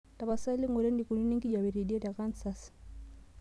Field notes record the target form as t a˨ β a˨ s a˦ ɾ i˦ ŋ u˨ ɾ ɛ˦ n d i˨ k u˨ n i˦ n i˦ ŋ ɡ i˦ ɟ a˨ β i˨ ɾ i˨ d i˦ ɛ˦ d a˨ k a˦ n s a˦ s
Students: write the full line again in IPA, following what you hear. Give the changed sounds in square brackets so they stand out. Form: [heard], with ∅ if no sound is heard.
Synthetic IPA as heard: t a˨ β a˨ s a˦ [l] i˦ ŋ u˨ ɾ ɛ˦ n d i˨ k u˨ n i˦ n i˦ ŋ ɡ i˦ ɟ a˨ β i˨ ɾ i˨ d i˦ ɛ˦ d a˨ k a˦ n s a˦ s